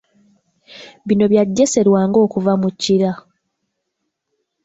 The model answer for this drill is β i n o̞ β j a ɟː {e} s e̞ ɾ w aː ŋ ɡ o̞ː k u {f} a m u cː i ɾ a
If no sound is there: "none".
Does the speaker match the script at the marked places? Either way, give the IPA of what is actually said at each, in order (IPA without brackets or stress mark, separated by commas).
e, v